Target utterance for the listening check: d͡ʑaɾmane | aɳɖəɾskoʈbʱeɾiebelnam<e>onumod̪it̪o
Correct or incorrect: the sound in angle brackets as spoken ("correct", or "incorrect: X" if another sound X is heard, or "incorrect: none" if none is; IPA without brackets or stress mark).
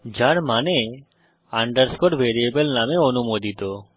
correct